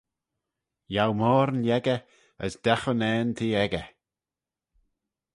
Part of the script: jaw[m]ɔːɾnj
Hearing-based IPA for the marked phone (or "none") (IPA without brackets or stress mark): m